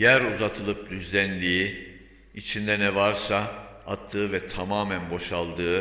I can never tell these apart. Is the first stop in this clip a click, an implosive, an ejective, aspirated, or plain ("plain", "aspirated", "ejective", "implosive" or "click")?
aspirated